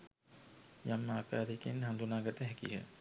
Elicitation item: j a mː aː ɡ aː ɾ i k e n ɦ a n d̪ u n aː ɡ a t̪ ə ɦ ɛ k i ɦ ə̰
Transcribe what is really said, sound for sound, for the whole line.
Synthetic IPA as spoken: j a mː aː k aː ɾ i k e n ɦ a n d̪ u n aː ɡ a t̪ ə ɦ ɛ k i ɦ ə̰